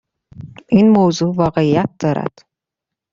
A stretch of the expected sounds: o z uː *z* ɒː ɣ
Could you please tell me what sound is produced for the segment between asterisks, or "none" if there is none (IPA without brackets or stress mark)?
v